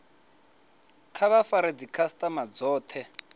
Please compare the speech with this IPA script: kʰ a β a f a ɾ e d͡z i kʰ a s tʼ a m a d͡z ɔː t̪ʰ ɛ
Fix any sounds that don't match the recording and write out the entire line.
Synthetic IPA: kʰ a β a f a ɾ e d͡z i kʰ a s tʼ a m a d͡z ɔː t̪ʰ ɛ